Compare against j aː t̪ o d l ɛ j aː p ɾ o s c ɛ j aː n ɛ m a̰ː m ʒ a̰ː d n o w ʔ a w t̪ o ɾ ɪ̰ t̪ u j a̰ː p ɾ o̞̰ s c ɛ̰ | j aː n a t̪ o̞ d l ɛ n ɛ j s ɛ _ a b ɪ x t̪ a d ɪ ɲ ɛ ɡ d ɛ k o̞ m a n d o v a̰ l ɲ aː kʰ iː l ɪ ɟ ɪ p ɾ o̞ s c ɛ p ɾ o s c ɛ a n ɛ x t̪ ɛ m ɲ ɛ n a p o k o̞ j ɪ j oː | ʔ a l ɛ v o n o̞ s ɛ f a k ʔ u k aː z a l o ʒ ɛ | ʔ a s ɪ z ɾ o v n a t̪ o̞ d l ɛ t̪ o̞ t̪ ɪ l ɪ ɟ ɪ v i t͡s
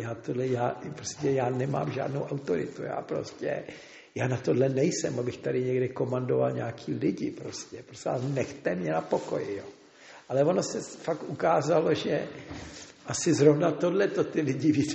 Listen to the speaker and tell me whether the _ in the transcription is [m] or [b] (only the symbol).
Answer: m